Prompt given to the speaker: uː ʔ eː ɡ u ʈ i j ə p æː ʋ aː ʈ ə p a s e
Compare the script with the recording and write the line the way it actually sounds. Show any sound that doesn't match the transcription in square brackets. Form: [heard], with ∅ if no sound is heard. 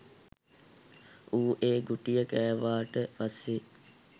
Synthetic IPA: uː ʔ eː ɡ u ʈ i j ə [k] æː ʋ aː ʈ ə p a s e

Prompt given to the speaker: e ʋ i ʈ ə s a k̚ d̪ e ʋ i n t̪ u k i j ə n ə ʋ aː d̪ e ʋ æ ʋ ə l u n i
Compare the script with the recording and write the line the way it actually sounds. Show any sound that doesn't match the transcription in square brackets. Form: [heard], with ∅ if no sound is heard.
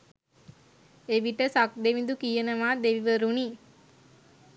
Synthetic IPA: e ʋ i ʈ ə s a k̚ d̪ e ʋ i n [d̪] u k i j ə n ə ʋ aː d̪ e ʋ [i] ʋ ə [ɾ] u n i

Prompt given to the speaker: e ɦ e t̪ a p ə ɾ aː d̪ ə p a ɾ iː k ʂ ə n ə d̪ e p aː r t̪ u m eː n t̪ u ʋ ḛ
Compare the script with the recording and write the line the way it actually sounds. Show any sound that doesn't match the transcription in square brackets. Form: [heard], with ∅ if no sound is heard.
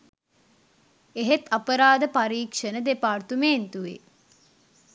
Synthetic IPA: e ɦ e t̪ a p ə ɾ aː d̪ ə p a ɾ iː k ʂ ə n ə d̪ e p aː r t̪ u m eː n t̪ u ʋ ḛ

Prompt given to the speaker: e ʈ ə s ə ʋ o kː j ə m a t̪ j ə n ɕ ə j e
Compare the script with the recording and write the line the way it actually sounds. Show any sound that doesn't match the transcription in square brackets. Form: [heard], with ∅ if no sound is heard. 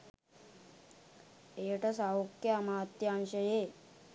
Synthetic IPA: e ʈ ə s [a] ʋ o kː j [a] m a t̪ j [a] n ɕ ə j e

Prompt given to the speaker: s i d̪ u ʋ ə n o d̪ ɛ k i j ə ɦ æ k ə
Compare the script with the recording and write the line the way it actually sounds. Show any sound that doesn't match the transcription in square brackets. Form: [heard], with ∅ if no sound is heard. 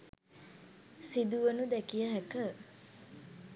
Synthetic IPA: s i d̪ u ʋ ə n [u] d̪ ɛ k i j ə ɦ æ k ə

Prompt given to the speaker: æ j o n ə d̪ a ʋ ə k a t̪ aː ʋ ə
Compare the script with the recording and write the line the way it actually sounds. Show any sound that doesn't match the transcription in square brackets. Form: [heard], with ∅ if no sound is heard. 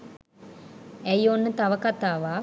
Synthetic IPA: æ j o [nː] ə [t̪] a ʋ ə k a t̪ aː ʋ [a]

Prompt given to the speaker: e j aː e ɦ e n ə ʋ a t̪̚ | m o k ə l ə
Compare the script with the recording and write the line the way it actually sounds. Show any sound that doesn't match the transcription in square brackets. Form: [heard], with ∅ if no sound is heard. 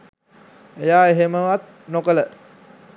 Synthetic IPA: e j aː e ɦ e [m] ə ʋ a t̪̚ | [n] o k ə l ə

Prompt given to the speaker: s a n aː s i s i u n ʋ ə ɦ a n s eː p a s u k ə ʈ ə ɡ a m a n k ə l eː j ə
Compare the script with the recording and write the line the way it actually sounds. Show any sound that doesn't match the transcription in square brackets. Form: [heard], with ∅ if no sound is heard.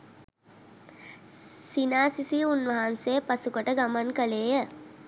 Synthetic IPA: s [i] n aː s i s i u n ʋ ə ɦ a n s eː p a s u k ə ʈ ə ɡ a m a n k ə l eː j ə

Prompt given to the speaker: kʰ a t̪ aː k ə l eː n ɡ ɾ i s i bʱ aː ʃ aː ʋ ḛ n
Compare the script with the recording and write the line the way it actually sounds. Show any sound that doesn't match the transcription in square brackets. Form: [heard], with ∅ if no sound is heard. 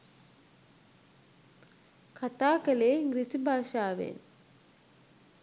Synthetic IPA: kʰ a t̪ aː k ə l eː [ŋ] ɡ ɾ i s i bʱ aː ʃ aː ʋ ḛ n

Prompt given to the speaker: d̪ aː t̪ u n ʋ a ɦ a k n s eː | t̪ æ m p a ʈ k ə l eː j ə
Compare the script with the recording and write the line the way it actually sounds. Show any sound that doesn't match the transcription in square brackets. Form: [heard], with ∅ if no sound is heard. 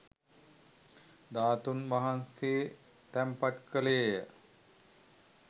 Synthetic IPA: d̪ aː t̪ u n ʋ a ɦ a [∅] n s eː | t̪ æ m p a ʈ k ə l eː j ə

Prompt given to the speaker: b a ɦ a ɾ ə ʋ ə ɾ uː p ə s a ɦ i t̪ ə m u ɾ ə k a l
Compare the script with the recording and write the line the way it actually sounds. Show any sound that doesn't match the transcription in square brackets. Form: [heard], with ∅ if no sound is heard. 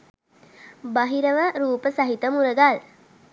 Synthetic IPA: b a ɦ [i] ɾ ə ʋ ə ɾ uː p ə s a ɦ i t̪ ə m u ɾ ə [ɡ] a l

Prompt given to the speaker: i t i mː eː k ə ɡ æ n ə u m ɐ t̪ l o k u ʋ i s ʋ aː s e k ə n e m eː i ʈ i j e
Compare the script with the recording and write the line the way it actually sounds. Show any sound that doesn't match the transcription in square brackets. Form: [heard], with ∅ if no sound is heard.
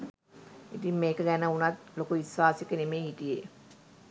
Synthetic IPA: i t i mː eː k ə ɡ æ n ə u [n] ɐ t̪ l o k u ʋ i s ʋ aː s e k ə n e m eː i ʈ i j e

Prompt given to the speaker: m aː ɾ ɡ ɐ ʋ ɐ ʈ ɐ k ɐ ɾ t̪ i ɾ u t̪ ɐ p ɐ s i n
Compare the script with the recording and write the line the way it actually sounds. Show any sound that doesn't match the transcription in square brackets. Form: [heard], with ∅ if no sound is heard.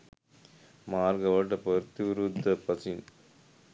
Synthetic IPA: m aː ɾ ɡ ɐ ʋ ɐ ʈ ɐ [p] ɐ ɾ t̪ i ɾ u [d̪] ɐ p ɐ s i n

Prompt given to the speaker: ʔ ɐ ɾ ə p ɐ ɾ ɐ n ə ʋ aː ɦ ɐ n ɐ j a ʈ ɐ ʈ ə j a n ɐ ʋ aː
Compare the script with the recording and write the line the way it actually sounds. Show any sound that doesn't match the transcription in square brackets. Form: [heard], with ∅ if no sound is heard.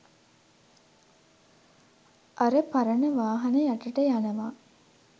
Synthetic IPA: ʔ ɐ ɾ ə p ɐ ɾ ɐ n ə ʋ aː ɦ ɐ n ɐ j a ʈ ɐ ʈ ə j a n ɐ ʋ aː

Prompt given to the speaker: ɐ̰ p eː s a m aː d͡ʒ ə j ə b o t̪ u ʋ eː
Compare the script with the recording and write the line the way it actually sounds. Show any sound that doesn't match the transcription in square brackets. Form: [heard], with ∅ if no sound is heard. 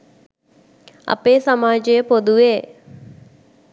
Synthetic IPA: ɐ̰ p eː s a m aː d͡ʒ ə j ə [p] o [d̪] u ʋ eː

